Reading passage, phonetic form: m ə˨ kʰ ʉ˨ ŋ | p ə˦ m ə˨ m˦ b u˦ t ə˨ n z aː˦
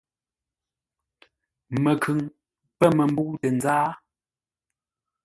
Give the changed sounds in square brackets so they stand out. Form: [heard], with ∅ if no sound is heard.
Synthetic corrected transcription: m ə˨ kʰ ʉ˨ ŋ | p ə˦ m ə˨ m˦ b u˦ t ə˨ n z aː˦